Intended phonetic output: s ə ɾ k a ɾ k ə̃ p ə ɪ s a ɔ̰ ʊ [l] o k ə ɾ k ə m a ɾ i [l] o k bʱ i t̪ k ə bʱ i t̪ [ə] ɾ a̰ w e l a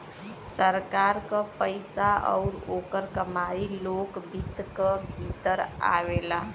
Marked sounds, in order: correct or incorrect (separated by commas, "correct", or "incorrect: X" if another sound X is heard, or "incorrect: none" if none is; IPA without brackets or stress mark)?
incorrect: ɾ, correct, correct